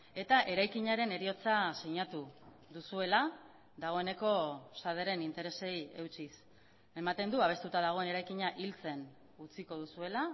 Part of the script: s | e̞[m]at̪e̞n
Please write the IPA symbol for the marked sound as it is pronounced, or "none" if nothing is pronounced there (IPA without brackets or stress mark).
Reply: m